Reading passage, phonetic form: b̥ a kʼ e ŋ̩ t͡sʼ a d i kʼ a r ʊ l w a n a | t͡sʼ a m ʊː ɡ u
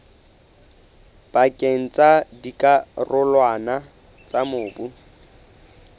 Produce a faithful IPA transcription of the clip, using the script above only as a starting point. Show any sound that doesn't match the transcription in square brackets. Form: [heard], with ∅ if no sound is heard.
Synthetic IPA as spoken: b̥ a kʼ e ŋ̩ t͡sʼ a d i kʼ a r ʊ l w a n a | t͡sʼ a m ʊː [b] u